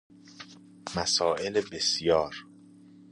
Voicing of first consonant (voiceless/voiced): voiced